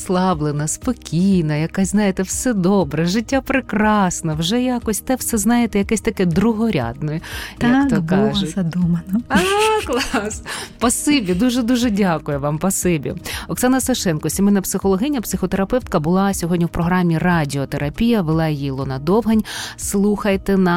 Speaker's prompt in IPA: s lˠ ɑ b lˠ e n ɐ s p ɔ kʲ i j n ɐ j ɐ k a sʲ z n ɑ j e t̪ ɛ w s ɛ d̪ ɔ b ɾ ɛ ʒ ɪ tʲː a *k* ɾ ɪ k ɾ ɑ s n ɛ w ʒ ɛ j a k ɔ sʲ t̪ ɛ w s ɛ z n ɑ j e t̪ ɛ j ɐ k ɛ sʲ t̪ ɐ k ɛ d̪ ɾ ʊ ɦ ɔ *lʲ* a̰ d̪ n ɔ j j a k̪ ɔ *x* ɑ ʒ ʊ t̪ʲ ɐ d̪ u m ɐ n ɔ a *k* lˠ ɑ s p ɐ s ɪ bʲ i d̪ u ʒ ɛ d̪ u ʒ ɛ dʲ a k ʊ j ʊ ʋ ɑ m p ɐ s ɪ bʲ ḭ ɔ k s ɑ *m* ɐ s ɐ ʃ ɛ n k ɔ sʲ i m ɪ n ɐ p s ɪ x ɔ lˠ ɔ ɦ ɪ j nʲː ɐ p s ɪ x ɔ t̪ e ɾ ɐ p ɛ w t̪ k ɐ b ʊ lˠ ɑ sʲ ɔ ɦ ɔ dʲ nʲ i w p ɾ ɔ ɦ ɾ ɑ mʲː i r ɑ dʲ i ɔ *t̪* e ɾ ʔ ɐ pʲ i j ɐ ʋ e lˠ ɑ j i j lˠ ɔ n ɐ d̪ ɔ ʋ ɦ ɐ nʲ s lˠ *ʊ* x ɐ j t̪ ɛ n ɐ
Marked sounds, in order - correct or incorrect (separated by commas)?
incorrect, incorrect, incorrect, correct, incorrect, correct, incorrect